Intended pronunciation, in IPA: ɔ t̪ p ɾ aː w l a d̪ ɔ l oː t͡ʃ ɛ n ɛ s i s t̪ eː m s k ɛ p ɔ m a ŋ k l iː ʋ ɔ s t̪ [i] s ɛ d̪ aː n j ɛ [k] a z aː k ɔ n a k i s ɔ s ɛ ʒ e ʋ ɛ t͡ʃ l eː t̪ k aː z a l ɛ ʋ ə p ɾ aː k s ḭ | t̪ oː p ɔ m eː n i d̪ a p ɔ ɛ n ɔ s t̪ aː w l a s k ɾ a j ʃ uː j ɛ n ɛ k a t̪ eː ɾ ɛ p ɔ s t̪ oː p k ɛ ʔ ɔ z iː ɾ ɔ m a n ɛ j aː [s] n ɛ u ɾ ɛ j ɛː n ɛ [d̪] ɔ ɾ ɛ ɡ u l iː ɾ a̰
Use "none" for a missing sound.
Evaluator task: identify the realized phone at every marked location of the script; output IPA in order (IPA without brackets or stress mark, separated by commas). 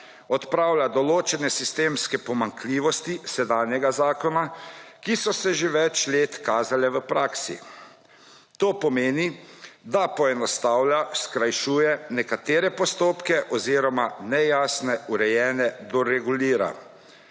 i, ɡ, s, d̪